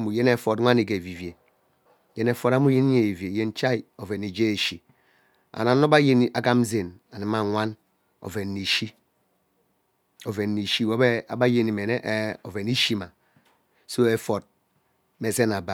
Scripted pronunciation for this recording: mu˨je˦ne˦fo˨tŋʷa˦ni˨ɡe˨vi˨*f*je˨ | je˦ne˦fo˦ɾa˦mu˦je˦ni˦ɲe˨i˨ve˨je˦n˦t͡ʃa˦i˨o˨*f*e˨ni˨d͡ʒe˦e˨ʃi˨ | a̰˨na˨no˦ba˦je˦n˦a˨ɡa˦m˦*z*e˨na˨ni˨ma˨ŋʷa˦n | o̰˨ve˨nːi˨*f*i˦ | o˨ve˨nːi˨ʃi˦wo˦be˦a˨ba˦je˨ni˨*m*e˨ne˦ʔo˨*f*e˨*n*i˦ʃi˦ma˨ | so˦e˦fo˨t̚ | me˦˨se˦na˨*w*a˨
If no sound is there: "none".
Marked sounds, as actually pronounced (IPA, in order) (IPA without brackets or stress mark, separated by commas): v, v, z, ʃ, m, v, n, b